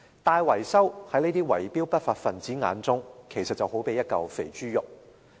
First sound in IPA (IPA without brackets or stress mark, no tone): t̪